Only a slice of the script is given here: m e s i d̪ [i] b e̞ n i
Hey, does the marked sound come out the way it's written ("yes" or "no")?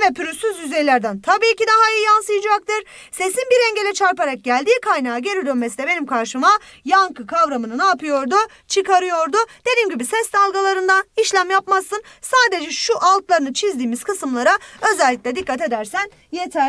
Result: no